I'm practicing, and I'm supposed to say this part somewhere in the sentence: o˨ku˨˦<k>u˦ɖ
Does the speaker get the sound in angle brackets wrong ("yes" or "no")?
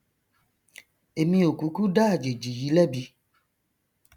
no